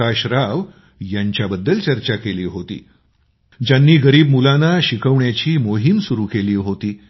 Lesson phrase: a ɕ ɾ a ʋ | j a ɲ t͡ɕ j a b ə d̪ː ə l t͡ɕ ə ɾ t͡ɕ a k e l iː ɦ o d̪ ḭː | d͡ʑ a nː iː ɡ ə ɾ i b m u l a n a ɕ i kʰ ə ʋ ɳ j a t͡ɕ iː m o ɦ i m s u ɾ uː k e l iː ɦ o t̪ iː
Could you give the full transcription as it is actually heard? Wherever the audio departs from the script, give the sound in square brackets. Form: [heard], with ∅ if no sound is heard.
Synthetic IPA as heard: a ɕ ɾ a ʋ | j a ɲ t͡ɕ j a b ə d̪ː ə l t͡ɕ ə ɾ t͡ɕ a k e l iː ɦ o [t̪] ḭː | d͡ʑ a nː iː ɡ ə ɾ [iː] b m u l a n a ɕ i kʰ ə ʋ ɳ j a t͡ɕ iː m o ɦ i m s u ɾ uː k e l iː ɦ o t̪ iː